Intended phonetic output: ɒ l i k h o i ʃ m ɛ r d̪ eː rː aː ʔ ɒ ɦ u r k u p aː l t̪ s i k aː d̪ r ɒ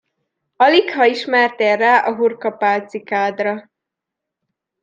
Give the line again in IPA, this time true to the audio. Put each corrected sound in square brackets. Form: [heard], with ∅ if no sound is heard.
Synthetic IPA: ɒ l i k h [ɒ] i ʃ m ɛ r [t̪] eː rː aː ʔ ɒ ɦ u r k [ɒ] p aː l t̪ s i k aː d̪ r ɒ